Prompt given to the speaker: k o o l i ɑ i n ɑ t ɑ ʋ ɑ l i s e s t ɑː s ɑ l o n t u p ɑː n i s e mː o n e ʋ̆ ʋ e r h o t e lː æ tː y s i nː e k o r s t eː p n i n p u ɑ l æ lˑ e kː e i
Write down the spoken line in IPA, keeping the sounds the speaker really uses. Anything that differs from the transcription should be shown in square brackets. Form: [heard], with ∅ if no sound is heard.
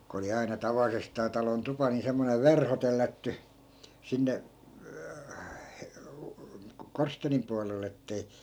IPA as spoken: k o o l i ɑ i n ɑ t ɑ ʋ ɑ l i s e s t ɑː [t] ɑ l o n t u p [ɑ] n i s e mː o n e ʋ̆ ʋ e r h o t e lː æ tː y s i nː e k o r s t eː [∅] n i [m] p u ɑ l [e] lˑ e [tː] e i